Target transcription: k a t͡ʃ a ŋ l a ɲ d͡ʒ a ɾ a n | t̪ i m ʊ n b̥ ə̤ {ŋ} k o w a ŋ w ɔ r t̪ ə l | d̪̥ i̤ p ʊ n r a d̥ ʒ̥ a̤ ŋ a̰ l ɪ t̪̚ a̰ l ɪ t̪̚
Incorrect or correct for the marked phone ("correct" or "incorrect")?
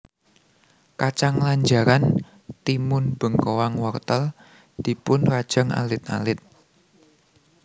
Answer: correct